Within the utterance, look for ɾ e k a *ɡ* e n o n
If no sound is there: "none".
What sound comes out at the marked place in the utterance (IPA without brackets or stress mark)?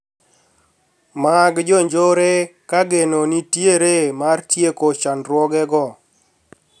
ɡ